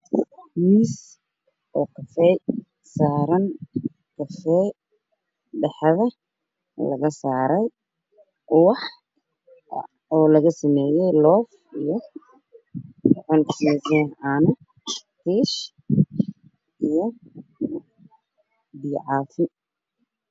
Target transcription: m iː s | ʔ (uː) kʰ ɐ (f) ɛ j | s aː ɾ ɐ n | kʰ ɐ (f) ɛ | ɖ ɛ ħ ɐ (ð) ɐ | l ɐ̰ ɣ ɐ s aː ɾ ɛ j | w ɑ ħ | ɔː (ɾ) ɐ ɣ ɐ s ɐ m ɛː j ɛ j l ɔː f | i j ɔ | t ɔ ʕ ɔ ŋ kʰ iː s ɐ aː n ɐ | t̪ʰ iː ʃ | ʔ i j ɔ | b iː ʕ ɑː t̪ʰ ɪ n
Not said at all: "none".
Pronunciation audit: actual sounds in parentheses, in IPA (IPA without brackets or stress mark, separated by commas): ɔː, f, f, ð, l